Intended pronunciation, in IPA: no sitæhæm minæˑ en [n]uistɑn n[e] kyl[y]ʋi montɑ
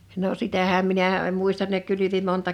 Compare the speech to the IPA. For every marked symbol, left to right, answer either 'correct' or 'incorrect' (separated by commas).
incorrect, correct, correct